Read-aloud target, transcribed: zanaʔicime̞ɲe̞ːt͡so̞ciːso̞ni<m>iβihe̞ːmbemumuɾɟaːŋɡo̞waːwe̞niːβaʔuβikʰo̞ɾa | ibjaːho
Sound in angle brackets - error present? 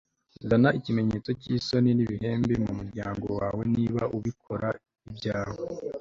yes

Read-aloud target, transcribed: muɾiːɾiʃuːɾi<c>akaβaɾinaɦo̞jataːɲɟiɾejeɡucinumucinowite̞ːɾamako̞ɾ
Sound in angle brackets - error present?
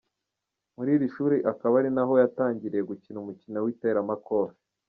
yes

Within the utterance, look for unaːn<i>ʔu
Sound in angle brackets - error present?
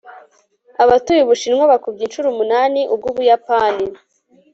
no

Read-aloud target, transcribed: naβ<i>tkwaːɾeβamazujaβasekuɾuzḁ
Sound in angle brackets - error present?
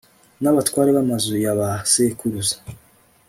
yes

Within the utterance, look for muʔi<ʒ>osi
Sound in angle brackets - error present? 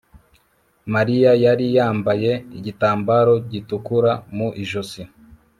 no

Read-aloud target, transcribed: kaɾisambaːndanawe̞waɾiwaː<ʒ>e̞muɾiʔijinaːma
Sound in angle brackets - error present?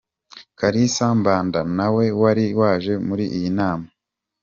no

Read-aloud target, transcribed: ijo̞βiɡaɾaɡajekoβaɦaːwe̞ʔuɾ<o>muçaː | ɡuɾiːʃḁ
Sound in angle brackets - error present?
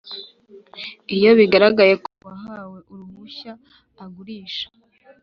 yes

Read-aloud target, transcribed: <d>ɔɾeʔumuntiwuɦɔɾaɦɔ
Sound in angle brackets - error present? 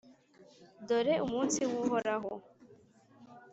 no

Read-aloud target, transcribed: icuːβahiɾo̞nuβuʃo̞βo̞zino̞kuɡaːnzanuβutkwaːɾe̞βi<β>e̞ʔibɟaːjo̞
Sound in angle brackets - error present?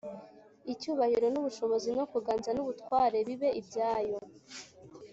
no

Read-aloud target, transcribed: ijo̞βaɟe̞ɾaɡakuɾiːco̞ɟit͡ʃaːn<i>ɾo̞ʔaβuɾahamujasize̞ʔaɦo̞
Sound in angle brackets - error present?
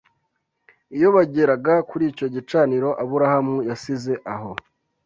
no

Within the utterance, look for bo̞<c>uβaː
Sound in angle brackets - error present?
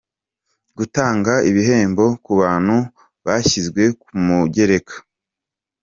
yes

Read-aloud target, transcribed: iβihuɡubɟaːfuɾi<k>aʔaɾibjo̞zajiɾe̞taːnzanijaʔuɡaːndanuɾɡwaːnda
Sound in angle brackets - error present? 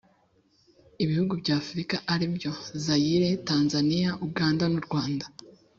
no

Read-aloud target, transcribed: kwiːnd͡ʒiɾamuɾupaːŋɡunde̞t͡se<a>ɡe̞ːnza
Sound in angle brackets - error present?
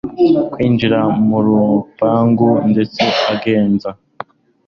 no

